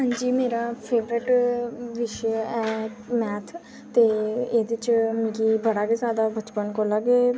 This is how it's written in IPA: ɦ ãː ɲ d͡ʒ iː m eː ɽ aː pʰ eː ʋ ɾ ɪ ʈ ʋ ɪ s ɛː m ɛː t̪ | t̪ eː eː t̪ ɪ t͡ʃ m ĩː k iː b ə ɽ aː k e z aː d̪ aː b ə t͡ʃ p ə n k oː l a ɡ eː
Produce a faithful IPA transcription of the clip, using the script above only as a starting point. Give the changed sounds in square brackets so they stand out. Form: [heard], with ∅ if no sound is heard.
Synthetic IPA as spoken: ɦ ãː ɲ d͡ʒ iː m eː [ɾ] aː pʰ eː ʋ ɾ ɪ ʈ ʋ ɪ [ʃ] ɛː m ɛː [t̪ʰ] | t̪ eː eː [d̪] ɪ t͡ʃ m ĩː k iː b ə ɽ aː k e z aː d̪ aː b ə t͡ʃ p ə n k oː l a ɡ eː